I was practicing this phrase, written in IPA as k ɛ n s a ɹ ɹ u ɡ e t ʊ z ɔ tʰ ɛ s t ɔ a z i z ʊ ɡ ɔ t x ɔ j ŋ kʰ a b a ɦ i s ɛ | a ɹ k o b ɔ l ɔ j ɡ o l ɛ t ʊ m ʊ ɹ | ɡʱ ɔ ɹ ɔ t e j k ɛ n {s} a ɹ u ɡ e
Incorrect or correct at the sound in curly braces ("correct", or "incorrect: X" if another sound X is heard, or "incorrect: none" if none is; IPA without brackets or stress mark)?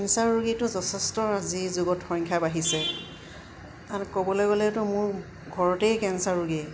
correct